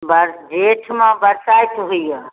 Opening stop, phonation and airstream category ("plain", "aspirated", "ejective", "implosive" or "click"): plain